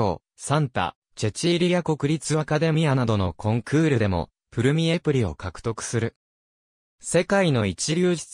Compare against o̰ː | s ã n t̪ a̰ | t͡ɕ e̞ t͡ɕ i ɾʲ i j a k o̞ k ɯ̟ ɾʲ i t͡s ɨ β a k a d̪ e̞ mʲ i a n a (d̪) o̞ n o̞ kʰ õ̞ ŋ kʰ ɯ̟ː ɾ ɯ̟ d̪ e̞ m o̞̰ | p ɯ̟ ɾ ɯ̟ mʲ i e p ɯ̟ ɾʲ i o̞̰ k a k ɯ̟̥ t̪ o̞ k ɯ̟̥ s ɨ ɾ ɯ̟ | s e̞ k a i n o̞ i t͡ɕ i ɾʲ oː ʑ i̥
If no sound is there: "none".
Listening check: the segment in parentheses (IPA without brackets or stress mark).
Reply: d̪